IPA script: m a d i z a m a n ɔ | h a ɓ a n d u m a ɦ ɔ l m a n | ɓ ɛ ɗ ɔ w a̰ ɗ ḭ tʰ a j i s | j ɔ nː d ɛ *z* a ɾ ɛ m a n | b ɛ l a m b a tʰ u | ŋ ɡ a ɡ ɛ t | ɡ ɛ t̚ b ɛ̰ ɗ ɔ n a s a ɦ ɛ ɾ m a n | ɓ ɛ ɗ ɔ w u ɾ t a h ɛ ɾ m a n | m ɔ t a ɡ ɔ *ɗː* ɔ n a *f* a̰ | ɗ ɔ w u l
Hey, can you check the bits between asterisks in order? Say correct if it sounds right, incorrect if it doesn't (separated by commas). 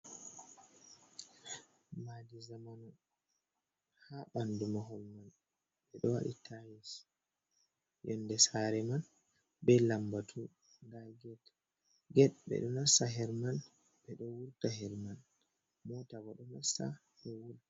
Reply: incorrect, incorrect, incorrect